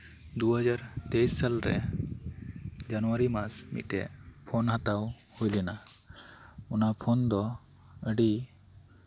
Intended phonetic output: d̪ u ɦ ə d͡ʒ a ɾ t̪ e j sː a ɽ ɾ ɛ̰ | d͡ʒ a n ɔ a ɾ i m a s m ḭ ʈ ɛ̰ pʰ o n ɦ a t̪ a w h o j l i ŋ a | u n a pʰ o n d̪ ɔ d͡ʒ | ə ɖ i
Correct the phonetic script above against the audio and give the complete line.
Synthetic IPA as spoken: d̪ u ɦ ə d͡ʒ a ɾ t̪ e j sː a l ɾ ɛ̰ | d͡ʒ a n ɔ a ɾ i m a s m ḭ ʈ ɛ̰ pʰ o n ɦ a t̪ a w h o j l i n a | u n a pʰ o n d̪ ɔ | ə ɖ i